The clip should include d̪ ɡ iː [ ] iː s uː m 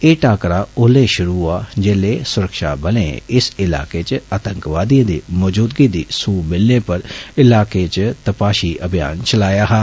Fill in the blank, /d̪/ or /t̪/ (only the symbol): d̪